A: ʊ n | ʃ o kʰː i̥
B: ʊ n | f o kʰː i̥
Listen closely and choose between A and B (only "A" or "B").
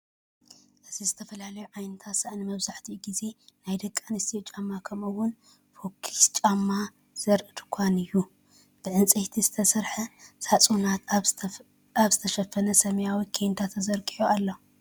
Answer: B